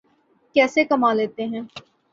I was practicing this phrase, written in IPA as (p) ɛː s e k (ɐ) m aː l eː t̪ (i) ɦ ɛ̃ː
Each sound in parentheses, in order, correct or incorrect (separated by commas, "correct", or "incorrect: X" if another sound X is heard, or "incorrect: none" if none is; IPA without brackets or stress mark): incorrect: k, correct, incorrect: e